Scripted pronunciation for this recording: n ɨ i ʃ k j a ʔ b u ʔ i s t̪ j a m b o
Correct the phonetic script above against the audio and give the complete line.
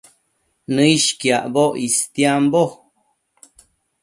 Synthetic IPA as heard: n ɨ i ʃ k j a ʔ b o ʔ i s t̪ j a m b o